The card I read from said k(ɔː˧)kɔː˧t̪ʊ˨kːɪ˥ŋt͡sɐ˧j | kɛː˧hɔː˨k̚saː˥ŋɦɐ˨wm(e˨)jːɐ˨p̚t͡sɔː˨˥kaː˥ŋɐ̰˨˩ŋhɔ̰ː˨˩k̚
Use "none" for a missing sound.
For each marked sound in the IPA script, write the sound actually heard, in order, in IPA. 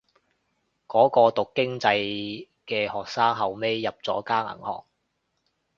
ɔː˨˥, e˥

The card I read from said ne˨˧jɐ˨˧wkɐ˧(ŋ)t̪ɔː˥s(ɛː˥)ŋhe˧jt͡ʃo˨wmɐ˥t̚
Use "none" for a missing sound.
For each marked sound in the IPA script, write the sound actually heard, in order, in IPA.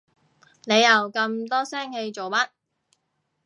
m, ɛː˥

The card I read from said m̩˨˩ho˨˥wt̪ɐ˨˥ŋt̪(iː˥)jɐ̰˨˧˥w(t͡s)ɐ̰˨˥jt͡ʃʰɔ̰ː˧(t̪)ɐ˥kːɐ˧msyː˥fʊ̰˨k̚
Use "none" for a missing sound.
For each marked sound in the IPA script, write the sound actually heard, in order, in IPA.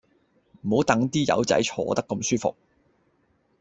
iː˥, t͡s, t̪

